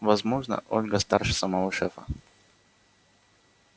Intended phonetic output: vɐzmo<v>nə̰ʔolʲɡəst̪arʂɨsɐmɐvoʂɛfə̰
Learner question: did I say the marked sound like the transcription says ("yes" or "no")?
no